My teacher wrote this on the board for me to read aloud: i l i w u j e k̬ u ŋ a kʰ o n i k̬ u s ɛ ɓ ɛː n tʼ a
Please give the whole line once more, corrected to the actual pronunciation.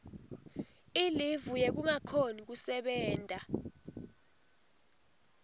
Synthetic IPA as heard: i l i v u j e k̬ u ŋ a kʰ o n i k̬ u s ɛ ɓ ɛː n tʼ a